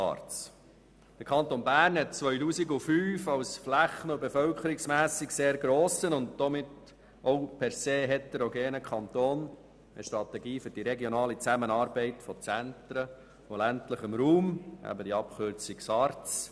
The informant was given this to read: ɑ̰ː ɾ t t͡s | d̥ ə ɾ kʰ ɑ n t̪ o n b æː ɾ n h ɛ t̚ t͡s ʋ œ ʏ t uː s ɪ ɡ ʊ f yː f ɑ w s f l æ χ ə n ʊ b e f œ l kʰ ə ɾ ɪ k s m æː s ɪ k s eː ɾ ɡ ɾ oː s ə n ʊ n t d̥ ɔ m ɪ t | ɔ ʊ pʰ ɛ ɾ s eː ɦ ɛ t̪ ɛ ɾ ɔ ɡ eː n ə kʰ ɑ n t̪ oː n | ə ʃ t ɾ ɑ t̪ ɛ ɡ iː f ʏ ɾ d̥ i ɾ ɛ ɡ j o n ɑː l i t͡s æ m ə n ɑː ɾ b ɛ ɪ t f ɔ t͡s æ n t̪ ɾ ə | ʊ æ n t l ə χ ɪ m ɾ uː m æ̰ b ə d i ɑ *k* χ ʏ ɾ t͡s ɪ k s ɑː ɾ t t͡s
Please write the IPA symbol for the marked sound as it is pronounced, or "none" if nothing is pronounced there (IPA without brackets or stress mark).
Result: p